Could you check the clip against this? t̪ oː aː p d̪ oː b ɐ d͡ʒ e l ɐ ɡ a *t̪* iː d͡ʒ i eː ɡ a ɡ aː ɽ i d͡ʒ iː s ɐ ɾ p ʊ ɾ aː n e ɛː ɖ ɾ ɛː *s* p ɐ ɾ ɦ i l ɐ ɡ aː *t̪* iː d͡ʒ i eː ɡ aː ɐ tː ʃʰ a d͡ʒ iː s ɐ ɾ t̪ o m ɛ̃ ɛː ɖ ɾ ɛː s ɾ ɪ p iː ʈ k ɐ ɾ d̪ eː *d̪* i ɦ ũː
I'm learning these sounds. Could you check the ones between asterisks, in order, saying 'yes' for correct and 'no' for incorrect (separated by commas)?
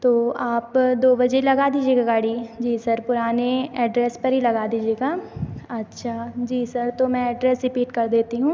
no, yes, no, no